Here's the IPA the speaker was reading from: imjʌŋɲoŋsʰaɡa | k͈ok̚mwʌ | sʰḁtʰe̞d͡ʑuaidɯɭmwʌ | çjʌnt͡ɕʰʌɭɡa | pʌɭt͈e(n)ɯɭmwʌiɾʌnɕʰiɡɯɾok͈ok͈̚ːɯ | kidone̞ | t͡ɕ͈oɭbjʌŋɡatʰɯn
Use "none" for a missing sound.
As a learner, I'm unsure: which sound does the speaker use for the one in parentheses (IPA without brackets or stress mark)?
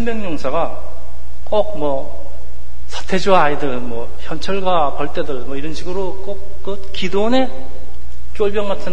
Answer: d